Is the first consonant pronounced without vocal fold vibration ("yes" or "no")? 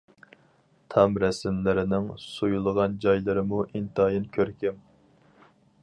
yes